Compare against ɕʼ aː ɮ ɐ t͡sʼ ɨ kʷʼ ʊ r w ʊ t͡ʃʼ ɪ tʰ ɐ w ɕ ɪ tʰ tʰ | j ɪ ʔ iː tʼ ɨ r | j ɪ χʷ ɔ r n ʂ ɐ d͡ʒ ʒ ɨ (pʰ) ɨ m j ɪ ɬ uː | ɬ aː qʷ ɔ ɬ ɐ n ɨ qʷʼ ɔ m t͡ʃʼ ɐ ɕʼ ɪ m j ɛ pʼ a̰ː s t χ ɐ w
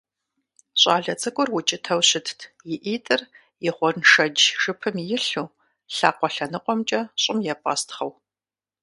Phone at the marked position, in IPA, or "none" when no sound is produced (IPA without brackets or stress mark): pʰ